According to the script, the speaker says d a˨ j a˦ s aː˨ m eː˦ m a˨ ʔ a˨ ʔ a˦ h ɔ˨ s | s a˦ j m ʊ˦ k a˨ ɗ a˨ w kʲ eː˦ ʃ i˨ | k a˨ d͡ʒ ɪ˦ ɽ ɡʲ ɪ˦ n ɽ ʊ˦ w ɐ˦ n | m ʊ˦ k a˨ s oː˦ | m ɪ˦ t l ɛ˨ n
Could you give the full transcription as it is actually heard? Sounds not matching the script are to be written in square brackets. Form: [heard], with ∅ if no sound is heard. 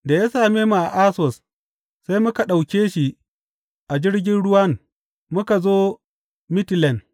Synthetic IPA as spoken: d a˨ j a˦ s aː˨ m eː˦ m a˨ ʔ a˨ ʔ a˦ [s] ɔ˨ s | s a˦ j m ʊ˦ k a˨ ɗ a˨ w kʲ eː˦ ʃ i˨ | [ʔ] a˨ d͡ʒ ɪ˦ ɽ ɡʲ ɪ˦ n ɽ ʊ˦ w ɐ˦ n | m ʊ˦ k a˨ [z] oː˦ | m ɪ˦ t l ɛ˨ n